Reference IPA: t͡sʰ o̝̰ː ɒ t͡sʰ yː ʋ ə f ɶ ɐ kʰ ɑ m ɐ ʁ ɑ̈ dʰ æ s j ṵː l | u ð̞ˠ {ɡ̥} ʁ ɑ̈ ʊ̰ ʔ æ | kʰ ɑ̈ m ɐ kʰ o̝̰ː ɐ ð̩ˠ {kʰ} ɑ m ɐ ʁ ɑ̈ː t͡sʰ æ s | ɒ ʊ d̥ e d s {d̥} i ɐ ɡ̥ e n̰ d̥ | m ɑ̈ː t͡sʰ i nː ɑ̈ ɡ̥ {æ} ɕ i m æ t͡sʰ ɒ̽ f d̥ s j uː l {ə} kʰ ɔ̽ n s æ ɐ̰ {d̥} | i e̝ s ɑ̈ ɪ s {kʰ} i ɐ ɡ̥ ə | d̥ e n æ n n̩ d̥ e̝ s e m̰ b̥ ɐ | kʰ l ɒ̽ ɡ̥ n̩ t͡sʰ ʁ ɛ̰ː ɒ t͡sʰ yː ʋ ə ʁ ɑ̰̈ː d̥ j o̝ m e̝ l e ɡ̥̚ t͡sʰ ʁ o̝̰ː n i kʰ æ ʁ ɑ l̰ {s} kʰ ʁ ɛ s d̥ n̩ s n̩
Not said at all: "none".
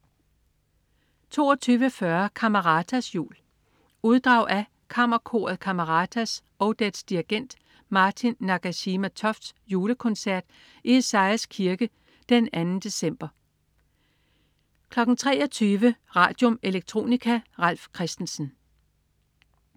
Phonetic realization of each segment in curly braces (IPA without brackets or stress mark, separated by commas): d̥, kʰ, d̥, æ, ə, d̥, kʰ, f